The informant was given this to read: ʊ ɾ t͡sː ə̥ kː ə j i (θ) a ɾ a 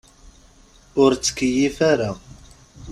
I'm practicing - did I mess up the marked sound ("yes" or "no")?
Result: yes